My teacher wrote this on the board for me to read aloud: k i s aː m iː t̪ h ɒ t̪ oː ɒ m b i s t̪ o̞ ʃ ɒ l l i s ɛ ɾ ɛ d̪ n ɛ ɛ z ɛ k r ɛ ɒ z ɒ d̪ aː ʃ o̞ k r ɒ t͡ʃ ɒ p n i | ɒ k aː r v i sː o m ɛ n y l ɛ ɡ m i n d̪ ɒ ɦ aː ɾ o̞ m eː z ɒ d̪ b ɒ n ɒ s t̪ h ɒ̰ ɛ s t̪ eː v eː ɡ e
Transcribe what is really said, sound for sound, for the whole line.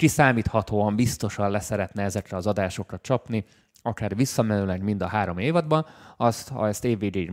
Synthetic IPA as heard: k i s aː m iː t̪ h ɒ t̪ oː ɒ m b i s t̪ o̞ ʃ ɒ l l ɛ s ɛ ɾ ɛ t̪ n ɛ ɛ z ɛ k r ɛ ɒ z ɒ d̪ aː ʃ o̞ k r ɒ t͡ʃ ɒ p n i | ɒ k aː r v i sː ɒ m ɛ n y l ɛ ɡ m i n d̪ ɒ ɦ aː ɾ o̞ m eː v ɒ d̪ b ɒ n ɒ s t̪ h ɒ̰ ɛ s t̪ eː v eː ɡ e